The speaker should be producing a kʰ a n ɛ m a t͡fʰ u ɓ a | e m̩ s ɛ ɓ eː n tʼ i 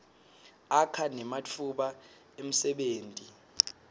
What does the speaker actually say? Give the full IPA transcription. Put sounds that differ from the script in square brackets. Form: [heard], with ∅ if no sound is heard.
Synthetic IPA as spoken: a kʰ a n ɛ m a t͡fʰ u ɓ a | e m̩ s ɛ ɓ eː n tʼ i